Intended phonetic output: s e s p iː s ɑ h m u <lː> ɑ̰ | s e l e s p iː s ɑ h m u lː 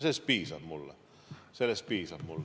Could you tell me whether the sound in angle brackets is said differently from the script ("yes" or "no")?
no